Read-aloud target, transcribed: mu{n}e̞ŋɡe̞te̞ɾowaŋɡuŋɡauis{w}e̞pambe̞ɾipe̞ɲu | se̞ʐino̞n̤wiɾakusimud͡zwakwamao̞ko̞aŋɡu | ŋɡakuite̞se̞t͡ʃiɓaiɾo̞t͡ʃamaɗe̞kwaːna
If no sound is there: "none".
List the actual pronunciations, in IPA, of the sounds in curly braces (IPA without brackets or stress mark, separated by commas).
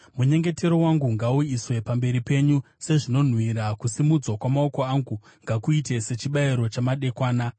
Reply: ɲ, w